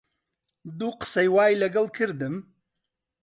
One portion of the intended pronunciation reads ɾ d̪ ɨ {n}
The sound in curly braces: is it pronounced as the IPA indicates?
no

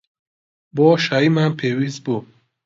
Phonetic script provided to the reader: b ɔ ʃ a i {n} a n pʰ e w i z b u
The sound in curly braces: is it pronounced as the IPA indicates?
no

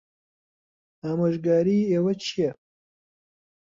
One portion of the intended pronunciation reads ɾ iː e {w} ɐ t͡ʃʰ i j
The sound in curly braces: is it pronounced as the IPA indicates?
yes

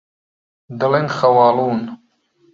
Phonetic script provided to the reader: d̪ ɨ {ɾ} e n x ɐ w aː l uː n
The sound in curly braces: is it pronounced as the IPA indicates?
no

